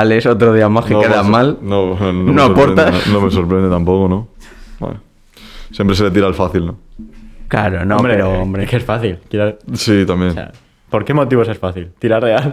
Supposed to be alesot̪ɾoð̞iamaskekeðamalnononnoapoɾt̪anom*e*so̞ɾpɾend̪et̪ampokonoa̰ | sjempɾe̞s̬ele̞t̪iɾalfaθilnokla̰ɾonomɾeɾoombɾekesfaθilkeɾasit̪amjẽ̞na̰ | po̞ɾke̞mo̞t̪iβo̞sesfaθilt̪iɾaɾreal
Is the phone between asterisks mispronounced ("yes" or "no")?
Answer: no